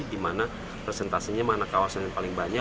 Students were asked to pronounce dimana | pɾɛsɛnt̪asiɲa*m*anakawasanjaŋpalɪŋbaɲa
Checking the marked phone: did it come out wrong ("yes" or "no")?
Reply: no